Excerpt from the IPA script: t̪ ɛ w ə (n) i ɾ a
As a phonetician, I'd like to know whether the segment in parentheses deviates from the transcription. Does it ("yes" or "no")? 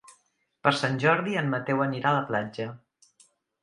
no